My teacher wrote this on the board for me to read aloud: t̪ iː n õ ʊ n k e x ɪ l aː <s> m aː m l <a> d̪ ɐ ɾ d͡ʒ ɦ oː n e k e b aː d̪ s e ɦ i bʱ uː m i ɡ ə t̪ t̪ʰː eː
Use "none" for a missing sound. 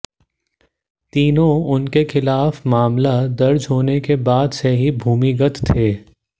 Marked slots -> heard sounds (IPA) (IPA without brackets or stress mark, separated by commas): f, a